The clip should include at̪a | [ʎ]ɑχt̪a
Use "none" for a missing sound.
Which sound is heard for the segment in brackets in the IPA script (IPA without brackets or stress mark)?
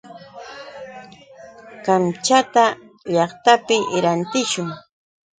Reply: ʎ